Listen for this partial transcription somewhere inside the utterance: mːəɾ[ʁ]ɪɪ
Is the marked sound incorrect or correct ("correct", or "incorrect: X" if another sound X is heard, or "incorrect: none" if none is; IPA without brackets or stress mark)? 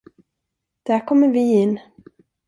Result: incorrect: v